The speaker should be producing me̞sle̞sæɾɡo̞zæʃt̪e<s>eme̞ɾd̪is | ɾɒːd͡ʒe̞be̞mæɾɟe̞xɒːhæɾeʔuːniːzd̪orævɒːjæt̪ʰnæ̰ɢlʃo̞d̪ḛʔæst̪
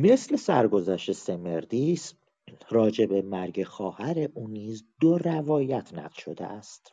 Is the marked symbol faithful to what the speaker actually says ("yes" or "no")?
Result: yes